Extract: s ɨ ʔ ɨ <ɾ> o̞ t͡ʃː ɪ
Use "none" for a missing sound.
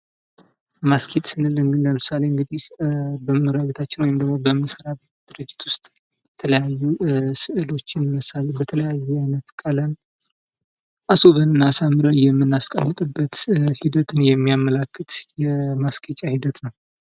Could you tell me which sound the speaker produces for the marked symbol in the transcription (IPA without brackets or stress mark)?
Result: l